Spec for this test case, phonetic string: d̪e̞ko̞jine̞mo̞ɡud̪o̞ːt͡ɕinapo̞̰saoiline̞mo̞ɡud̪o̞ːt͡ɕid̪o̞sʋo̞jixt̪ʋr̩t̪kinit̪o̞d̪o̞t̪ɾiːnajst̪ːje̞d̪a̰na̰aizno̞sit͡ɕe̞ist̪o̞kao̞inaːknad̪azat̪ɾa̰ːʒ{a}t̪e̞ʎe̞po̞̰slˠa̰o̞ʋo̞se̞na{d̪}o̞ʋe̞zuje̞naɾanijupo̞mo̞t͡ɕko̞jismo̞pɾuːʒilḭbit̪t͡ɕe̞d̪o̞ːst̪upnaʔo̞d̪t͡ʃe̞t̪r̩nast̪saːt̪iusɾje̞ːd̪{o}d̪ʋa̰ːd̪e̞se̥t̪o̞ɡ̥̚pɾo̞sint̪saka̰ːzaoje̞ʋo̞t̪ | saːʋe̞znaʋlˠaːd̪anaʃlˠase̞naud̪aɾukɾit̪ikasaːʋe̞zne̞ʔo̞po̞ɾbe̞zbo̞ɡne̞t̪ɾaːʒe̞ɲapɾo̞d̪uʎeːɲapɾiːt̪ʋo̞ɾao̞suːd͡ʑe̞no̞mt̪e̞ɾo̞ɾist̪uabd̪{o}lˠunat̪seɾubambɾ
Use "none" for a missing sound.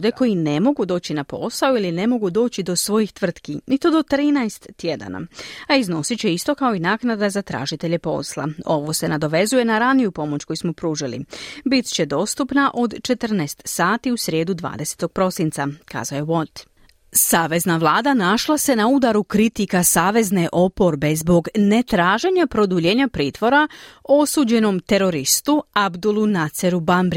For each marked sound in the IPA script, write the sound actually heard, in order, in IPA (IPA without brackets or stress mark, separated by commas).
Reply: i, d̪, u, u